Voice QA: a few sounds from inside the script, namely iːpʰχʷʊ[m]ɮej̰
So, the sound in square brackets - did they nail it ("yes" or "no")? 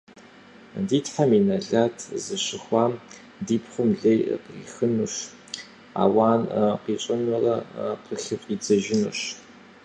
yes